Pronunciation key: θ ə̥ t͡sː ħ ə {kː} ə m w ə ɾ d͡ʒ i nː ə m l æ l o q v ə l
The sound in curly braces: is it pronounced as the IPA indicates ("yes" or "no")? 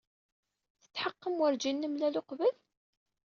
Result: no